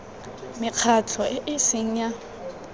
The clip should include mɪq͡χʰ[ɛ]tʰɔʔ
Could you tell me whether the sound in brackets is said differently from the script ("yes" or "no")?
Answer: yes